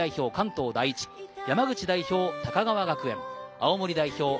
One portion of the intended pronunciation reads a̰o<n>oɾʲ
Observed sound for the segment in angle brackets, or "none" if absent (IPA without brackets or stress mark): m